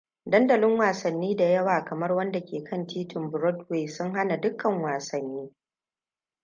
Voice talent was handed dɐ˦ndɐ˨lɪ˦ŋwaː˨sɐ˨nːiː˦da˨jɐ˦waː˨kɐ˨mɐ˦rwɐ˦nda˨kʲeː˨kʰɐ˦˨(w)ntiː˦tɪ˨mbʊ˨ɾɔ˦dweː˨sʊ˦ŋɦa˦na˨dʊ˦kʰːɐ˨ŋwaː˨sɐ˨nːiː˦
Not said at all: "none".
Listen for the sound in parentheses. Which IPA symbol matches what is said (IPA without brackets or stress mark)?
none